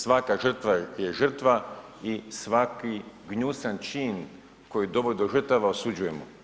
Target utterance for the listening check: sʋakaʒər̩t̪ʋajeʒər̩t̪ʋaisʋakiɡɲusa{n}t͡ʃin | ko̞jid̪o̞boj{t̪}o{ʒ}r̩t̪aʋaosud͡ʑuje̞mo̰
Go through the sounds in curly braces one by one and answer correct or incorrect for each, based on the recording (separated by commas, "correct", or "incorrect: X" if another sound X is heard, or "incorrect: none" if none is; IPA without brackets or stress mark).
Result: correct, incorrect: d̪, correct